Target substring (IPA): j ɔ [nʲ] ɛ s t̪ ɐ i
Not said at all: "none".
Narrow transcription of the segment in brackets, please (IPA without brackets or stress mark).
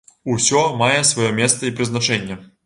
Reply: mʲ